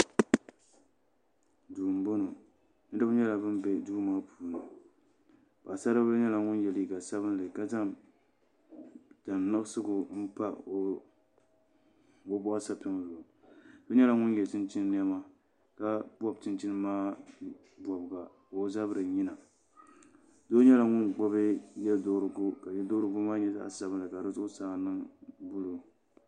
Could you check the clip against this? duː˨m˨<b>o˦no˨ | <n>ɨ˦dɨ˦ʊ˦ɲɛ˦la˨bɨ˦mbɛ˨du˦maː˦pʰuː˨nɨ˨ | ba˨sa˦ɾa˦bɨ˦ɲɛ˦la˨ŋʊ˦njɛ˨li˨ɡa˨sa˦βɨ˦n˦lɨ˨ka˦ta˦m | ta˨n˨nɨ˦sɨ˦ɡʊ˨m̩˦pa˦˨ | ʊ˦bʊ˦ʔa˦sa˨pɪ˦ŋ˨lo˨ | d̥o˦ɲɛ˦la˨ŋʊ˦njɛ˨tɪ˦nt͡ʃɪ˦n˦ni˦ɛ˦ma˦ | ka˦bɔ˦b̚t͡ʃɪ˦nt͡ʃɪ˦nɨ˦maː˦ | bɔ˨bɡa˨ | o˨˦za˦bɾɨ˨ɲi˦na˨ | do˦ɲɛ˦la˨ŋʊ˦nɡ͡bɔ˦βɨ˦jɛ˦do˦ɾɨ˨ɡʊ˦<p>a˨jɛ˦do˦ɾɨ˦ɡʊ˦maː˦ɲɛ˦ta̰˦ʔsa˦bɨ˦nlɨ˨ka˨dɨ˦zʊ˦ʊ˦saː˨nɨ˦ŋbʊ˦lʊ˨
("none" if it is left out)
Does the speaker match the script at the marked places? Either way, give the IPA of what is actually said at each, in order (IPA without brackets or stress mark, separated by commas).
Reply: b, n, k